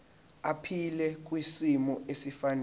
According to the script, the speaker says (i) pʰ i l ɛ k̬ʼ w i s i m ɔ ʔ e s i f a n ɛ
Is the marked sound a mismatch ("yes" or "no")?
yes